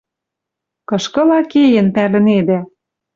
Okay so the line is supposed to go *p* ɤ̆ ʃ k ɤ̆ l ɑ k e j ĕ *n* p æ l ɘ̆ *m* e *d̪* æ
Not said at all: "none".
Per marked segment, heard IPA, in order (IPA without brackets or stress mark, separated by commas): k, n, n, d̪